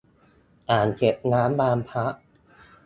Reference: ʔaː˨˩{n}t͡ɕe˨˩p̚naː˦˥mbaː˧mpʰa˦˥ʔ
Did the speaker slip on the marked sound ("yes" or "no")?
no